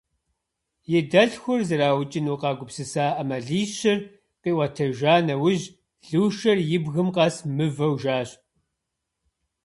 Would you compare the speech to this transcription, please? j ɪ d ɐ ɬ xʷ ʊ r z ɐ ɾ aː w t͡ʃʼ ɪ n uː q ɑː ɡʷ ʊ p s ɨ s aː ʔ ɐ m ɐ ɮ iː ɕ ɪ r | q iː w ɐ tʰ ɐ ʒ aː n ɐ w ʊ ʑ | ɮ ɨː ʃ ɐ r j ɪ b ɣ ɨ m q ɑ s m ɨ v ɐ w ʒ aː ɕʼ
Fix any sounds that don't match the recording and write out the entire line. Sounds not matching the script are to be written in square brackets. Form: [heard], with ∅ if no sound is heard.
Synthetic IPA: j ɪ d ɐ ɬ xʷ ʊ r z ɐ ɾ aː w t͡ʃʼ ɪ n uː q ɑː ɡʷ ʊ p s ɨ s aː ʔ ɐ m ɐ ɮ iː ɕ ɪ r | q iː w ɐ tʰ ɐ ʒ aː n ɐ w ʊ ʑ | ɮ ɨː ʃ ɐ r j ɪ b ɣ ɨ m q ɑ s m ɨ v ɐ w ʒ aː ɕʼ

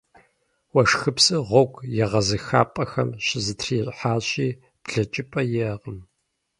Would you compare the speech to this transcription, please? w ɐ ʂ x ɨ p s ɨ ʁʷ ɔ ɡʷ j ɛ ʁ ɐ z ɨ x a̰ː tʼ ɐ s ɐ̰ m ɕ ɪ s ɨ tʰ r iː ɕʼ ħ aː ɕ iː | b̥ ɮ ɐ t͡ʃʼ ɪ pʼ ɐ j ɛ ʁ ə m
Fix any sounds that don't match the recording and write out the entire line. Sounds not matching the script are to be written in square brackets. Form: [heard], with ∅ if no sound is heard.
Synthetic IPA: w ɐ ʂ x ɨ p s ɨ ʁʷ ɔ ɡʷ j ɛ ʁ ɐ z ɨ x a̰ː [pʼ] ɐ [x] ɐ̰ m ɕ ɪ [z] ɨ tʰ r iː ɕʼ ħ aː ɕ iː | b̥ ɮ ɐ t͡ʃʼ ɪ pʼ ɐ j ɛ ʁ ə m

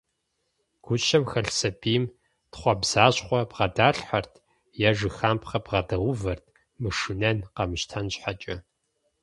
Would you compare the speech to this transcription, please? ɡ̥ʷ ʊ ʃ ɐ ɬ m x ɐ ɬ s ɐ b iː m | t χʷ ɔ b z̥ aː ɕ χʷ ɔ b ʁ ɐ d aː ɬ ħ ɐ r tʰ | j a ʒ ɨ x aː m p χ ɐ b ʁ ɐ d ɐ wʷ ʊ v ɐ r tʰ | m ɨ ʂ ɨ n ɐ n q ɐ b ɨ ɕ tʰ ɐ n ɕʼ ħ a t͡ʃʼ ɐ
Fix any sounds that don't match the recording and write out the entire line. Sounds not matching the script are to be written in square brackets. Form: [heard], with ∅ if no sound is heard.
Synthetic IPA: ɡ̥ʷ ʊ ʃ ɐ [∅] m x ɐ ɬ s ɐ b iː m | t χʷ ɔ b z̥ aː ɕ χʷ ɔ b ʁ ɐ d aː ɬ ħ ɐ r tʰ | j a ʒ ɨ x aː m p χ ɐ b ʁ ɐ d ɐ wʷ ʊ v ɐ r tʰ | m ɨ ʂ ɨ n ɐ n q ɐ [m] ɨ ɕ tʰ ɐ n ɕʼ ħ a t͡ʃʼ ɐ

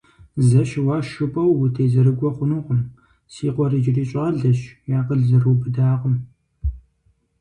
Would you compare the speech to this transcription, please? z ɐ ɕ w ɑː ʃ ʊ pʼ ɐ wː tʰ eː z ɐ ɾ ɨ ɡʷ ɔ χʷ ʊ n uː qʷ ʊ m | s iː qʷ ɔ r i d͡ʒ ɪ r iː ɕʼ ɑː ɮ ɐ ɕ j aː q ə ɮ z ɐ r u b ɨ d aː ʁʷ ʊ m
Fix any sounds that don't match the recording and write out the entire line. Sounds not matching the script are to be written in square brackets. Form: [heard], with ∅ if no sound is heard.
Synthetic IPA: z ɐ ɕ w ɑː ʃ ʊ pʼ ɐ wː tʰ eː z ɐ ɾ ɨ ɡʷ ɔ χʷ ʊ n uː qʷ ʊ m | s iː qʷ ɔ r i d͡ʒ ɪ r iː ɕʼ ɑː ɮ ɐ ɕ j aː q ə ɮ z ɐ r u b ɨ d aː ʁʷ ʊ m

